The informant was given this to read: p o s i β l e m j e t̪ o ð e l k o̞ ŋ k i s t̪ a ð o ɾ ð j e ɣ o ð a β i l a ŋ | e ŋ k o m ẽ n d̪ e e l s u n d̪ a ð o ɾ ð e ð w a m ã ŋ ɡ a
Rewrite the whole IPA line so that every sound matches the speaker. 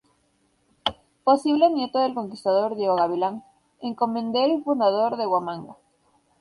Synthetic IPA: p o s i β l e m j e t̪ o ð e l k o̞ ŋ k i s t̪ a ð o ɾ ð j e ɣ o ɣ a β i l a ŋ | e ŋ k o m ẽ n d̪ e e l f u n d̪ a ð o ɾ ð e ɣ w a m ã ŋ ɡ a